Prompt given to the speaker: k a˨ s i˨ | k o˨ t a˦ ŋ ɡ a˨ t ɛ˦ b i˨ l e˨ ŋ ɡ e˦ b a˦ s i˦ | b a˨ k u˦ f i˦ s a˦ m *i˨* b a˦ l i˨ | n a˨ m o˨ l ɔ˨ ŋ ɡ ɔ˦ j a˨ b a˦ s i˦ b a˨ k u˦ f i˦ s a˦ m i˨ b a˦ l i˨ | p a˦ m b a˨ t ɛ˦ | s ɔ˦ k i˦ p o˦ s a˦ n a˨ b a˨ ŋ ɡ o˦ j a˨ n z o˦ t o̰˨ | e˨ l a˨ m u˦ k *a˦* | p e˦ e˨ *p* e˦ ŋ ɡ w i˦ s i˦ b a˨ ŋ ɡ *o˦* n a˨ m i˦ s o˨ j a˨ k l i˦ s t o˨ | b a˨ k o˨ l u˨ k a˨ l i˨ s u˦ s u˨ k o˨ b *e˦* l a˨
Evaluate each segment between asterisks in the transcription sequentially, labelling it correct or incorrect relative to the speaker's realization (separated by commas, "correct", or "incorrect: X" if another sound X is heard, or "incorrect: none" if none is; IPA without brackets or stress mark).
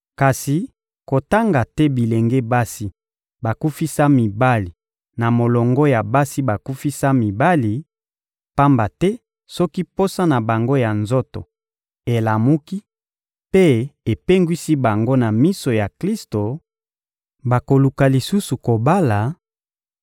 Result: correct, incorrect: i˦, correct, correct, incorrect: a˦